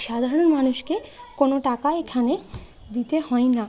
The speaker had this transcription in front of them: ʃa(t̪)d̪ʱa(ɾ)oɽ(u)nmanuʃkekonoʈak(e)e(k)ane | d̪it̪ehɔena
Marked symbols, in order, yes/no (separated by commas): no, yes, no, no, no